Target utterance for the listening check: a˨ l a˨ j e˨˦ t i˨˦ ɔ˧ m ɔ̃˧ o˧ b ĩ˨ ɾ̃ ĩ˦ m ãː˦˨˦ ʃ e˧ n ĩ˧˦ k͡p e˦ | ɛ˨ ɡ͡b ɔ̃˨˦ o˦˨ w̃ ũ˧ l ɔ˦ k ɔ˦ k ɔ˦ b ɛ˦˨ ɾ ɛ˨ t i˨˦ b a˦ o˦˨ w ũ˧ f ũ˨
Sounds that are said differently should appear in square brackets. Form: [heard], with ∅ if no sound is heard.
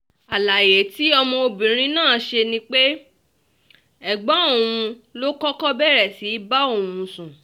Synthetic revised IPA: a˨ l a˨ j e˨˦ t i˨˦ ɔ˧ m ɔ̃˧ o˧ b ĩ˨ ɾ̃ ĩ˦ [n] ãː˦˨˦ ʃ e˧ n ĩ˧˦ k͡p e˦ | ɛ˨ ɡ͡b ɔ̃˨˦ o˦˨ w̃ ũ˧ l [o˦] k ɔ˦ k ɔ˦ b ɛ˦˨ ɾ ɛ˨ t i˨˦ b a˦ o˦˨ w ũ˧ [s] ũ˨

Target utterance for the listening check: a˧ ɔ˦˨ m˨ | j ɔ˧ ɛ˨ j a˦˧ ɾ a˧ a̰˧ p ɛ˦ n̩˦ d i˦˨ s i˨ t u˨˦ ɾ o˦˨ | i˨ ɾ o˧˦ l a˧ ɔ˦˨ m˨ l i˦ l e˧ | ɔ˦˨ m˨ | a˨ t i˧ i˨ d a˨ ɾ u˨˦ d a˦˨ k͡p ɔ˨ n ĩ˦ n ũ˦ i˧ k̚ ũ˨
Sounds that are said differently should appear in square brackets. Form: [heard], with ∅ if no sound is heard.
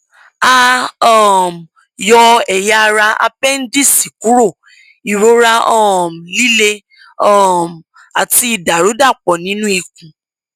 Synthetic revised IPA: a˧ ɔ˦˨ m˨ | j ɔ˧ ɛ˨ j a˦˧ ɾ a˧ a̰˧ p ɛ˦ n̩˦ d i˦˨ s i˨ [k] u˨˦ ɾ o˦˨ | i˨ ɾ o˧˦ [ɾ] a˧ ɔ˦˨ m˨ l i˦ l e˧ | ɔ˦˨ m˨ | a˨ t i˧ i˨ d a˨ ɾ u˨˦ d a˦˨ k͡p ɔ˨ n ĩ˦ n ũ˦ i˧ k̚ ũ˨

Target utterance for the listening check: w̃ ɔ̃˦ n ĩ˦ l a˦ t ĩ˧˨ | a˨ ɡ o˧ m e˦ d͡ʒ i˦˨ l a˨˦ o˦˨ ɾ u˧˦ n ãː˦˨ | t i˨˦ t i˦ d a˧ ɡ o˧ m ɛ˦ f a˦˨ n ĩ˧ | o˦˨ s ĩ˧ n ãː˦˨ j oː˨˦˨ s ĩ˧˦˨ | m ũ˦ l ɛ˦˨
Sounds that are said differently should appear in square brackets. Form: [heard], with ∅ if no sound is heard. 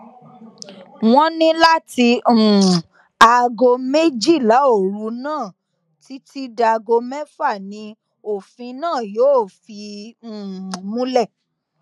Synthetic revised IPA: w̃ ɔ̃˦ n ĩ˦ l a˦ t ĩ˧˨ | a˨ ɡ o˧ m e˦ d͡ʒ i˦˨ l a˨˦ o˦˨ ɾ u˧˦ n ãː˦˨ | t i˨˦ t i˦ d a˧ ɡ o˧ m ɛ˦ f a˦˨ n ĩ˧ | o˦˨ [f] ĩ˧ n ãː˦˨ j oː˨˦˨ [f] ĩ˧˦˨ | m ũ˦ l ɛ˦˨

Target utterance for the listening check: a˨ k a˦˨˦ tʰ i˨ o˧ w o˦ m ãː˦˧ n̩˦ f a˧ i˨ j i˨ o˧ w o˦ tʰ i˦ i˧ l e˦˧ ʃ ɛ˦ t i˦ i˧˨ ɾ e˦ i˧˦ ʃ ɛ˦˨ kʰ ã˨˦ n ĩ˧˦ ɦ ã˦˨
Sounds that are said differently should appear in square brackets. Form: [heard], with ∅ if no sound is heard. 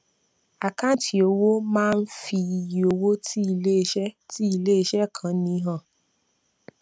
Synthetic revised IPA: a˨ k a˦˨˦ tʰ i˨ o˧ w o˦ m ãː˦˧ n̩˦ f [i˧] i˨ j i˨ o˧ w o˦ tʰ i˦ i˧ l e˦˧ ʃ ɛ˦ t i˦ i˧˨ [l] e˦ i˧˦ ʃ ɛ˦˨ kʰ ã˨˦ n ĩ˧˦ ɦ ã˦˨

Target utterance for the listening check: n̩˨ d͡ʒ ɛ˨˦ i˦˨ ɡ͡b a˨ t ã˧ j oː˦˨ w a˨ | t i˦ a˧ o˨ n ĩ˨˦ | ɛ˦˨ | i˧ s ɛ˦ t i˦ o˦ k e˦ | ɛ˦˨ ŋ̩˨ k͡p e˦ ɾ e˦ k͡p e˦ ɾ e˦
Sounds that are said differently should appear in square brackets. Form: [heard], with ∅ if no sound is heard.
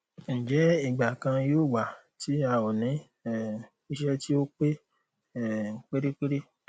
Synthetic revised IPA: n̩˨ d͡ʒ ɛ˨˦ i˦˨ ɡ͡b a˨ [k] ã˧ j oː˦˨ w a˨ | t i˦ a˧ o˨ n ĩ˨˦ | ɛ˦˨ | i˧ [ʃ] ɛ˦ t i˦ o˦ [k͡p] e˦ | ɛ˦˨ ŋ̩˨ k͡p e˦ ɾ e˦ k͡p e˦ ɾ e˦

